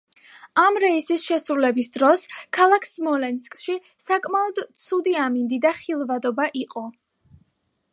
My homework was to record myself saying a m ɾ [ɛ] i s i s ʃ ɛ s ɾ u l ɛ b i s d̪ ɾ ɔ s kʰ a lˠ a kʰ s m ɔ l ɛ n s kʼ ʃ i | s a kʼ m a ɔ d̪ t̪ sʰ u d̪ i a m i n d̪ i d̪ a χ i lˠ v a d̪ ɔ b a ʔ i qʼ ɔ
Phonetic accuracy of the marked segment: correct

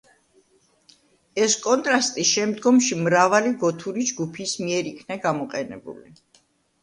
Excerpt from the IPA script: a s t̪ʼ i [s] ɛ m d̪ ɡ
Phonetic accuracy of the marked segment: incorrect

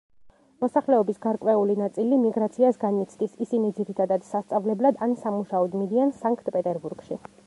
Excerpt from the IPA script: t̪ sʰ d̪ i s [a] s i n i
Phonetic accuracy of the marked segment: incorrect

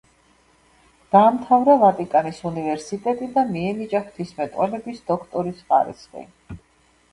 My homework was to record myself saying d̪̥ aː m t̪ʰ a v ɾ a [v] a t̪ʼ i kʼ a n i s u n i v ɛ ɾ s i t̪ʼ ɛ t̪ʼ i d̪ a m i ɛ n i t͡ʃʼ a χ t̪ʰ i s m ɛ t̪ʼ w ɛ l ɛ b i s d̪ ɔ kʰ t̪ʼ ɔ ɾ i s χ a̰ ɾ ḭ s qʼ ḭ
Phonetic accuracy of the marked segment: correct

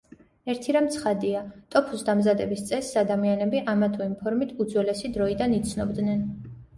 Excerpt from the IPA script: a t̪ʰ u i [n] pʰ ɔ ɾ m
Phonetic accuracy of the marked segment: incorrect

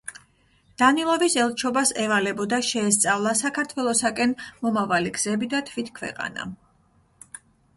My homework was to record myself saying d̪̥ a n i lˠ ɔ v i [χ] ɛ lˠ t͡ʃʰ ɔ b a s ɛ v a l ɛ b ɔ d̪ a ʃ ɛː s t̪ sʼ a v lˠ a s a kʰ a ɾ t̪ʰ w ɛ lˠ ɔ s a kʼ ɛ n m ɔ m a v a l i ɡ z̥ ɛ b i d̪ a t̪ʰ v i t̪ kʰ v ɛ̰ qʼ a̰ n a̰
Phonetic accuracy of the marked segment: incorrect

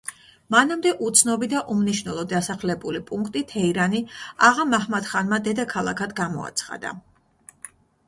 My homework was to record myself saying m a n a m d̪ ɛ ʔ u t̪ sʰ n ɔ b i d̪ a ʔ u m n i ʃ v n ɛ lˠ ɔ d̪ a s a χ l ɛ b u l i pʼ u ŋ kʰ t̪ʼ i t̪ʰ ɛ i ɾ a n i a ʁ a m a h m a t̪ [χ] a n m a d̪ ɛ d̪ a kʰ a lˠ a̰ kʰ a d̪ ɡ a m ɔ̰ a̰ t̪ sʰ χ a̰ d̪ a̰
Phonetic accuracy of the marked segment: correct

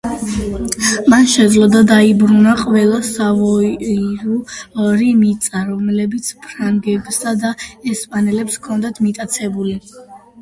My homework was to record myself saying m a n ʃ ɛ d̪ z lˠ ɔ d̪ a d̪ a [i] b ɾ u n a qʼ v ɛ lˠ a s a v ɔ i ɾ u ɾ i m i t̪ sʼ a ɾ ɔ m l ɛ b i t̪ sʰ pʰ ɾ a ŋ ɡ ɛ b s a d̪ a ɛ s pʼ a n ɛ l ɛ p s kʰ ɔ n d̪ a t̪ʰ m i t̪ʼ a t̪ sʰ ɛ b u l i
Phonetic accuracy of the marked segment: correct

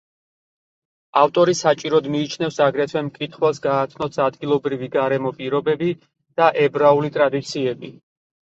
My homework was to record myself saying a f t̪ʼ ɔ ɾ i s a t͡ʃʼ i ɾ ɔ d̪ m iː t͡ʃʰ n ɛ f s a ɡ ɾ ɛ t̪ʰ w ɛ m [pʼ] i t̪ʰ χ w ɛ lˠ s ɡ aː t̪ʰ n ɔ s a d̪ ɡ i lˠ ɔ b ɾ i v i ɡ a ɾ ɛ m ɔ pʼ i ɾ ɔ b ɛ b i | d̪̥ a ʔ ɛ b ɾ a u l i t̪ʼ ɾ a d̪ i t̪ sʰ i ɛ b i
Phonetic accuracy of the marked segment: incorrect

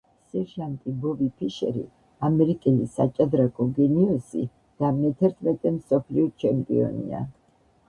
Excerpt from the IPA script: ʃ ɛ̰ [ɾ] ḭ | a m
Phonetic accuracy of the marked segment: correct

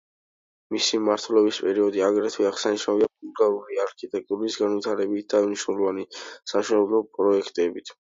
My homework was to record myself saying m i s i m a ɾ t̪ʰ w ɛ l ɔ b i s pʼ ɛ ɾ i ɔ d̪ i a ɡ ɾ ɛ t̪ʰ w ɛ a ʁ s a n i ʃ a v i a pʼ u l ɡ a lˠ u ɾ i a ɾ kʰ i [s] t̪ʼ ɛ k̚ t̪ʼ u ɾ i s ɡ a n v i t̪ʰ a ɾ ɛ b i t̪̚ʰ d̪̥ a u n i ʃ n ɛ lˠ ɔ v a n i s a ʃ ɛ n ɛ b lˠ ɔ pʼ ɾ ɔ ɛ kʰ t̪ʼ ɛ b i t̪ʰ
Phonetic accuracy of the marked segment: incorrect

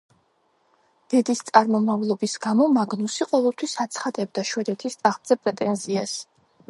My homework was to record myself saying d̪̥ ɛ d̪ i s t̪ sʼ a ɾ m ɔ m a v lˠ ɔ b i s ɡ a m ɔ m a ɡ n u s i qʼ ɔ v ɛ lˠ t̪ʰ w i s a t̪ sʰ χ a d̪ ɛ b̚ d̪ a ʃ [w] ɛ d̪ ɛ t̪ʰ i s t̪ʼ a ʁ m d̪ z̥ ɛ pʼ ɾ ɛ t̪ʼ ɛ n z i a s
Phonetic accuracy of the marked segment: correct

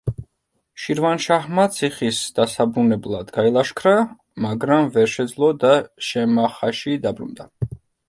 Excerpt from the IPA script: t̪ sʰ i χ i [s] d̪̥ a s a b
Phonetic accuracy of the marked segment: correct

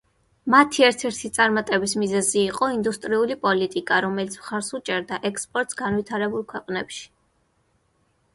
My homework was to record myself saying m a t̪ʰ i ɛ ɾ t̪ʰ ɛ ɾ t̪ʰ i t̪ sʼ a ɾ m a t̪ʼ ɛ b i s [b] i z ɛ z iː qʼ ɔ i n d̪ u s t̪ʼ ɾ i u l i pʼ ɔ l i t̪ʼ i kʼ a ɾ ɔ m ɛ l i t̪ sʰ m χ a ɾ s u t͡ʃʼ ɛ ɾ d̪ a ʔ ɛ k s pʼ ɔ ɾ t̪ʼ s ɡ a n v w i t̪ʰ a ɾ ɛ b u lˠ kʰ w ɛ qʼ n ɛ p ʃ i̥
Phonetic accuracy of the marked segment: incorrect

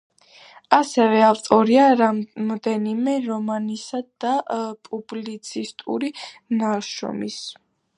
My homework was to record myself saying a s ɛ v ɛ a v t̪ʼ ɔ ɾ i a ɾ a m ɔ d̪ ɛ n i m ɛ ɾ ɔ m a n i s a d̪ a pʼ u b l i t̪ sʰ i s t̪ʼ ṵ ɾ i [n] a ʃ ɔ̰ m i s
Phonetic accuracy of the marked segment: correct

